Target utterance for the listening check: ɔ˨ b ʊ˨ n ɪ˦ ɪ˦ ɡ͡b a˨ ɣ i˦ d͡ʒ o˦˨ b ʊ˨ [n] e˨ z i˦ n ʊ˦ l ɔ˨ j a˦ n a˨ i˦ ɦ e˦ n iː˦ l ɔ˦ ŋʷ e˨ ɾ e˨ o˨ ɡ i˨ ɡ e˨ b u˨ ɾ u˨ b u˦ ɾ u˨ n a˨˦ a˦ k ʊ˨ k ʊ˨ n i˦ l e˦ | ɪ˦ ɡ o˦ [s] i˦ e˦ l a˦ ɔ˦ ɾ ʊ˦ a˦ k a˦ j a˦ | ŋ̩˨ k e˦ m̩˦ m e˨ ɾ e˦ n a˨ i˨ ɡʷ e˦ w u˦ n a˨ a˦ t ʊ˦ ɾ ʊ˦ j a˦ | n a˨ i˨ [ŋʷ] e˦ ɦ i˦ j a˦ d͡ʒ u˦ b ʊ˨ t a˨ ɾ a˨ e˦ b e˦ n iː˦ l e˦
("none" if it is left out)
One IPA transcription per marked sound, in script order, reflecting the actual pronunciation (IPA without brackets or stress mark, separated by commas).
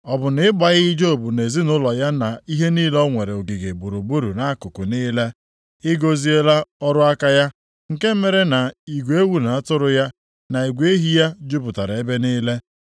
n, z, ɡʷ